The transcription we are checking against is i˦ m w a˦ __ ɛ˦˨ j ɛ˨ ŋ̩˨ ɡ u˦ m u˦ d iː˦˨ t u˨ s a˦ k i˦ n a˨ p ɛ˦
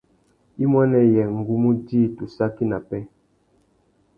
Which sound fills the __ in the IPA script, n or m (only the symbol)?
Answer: n